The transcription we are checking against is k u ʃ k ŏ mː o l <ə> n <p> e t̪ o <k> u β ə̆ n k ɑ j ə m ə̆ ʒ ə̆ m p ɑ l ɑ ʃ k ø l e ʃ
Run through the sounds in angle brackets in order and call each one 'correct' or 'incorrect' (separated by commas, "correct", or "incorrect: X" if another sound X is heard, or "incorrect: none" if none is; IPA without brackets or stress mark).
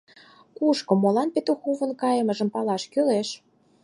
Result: incorrect: ɑ, correct, incorrect: x